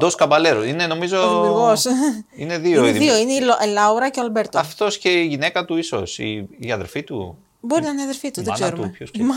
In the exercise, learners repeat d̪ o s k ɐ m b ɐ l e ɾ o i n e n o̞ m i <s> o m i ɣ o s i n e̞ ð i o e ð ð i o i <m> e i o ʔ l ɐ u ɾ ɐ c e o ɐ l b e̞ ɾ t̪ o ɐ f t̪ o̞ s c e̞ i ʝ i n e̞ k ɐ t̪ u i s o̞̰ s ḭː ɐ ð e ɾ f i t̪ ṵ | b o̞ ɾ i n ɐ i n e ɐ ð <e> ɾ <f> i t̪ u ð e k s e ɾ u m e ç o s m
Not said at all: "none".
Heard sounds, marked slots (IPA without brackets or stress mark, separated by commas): z, n, e, f